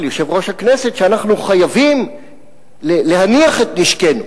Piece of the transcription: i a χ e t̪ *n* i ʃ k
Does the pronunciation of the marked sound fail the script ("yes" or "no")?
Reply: no